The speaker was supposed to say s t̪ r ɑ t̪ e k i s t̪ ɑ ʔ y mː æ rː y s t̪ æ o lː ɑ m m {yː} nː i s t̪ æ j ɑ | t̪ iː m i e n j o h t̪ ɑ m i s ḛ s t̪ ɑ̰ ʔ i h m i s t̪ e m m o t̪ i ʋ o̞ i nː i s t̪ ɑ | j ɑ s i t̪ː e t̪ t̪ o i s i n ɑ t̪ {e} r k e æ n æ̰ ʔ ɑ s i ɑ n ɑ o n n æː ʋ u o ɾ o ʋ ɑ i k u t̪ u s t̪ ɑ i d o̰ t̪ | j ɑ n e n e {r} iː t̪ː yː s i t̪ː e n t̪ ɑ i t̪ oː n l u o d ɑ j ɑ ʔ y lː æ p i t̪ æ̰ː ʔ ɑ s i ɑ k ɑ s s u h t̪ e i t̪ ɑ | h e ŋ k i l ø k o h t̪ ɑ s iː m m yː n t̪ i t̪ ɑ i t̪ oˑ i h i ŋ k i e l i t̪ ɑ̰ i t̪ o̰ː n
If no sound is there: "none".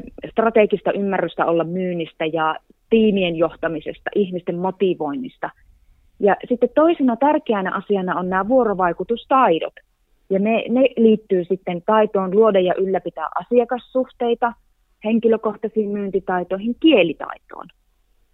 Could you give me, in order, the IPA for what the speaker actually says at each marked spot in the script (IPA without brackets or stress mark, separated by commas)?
yː, æ, l